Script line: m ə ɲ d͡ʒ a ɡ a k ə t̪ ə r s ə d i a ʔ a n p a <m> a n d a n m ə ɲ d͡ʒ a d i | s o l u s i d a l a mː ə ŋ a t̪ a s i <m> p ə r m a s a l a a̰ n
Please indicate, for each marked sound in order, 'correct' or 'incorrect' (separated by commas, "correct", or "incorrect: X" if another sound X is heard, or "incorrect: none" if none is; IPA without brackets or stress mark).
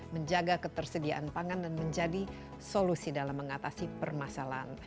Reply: incorrect: ŋ, incorrect: none